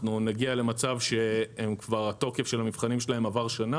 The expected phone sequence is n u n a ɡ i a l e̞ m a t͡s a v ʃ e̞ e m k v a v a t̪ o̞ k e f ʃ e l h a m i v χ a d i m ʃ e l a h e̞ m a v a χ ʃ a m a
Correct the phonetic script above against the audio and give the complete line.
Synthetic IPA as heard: n u n a ɡ i a l e̞ m a t͡s a v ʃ e̞ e m k v a ʁ a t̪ o̞ k e f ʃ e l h a m i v χ a n i m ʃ e l a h e̞ m a v a ʁ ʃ a n a